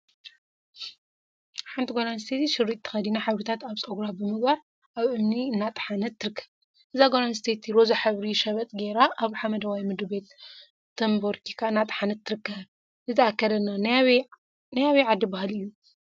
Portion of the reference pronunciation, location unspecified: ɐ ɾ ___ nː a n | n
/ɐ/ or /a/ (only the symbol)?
ɐ